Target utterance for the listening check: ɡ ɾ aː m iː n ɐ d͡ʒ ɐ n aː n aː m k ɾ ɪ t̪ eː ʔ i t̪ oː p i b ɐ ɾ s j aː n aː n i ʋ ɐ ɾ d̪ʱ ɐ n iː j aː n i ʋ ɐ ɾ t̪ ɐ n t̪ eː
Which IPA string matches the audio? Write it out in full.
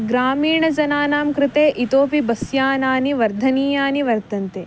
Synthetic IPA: ɡ ɾ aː m iː ɳ ɐ d͡ʒ ɐ n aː n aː m k ɾ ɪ t̪ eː ʔ i t̪ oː p i b ɐ s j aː n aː n i ʋ ɐ ɾ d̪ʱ ɐ n iː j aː n i ʋ ɐ ɾ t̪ ɐ n t̪ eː